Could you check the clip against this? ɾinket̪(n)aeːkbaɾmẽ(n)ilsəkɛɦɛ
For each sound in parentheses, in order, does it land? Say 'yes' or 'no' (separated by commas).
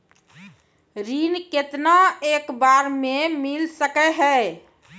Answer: yes, no